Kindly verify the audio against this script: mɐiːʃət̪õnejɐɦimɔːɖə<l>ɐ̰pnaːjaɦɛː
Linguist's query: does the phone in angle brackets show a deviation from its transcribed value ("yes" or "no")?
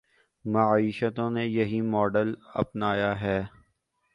no